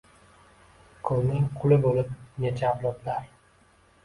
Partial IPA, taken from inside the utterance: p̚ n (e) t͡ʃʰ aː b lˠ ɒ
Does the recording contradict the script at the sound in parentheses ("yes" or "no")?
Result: no